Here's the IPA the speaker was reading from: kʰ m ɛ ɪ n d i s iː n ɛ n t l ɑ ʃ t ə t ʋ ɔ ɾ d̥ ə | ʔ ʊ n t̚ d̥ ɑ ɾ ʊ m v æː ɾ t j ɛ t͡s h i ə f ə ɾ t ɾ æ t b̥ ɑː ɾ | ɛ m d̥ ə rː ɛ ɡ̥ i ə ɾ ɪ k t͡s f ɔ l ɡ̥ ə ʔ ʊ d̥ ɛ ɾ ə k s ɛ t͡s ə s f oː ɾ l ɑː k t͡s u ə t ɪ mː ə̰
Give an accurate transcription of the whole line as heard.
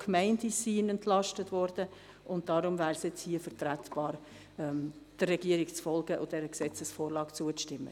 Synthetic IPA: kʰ m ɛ ɪ n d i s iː n ɛ n t l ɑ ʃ t ə t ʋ ɔ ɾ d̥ ə | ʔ ʊ n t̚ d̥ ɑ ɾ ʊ m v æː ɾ s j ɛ t͡s h i ə f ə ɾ t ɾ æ t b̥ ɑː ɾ | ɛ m d̥ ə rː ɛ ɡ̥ i ə ɾ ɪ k t͡s f ɔ l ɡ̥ ə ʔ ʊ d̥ ɛ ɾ ə k s ɛ t͡s ə s f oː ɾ l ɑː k t͡s u ə t ɪ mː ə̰